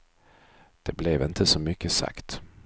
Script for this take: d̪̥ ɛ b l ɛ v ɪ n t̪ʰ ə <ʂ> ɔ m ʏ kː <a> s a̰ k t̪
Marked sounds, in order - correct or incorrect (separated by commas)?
incorrect, incorrect